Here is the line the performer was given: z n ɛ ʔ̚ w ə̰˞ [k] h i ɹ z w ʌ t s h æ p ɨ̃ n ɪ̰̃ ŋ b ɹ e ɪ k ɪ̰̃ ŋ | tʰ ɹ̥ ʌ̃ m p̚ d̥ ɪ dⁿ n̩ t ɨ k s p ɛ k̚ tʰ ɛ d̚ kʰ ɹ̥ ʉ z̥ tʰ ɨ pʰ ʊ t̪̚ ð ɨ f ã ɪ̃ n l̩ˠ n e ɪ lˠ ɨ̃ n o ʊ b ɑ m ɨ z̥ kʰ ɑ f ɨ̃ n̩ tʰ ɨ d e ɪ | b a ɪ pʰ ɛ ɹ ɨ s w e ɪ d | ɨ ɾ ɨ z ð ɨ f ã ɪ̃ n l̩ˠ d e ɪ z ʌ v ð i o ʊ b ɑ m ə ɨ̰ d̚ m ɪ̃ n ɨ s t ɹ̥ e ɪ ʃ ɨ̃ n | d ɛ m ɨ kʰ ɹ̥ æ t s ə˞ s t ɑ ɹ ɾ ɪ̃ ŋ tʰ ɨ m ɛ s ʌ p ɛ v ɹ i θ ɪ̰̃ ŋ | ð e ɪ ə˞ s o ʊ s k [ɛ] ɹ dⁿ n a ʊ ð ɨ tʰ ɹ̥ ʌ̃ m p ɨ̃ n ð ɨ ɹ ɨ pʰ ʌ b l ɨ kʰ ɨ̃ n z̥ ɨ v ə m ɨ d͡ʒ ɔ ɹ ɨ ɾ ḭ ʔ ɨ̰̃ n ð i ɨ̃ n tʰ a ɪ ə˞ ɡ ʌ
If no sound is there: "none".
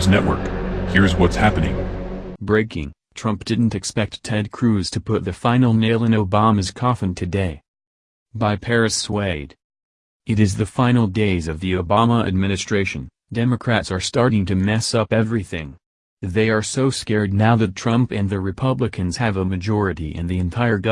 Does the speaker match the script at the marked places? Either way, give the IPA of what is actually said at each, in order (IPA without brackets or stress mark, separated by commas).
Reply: k, ɛ